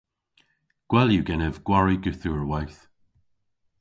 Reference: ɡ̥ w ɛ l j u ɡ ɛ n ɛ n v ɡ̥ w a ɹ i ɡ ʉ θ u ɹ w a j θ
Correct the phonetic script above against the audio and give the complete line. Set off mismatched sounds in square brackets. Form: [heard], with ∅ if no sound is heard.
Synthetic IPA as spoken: ɡ̥ w ɛ l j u ɡ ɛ n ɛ [∅] v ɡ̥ w a ɹ i ɡ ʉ θ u ɹ w a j θ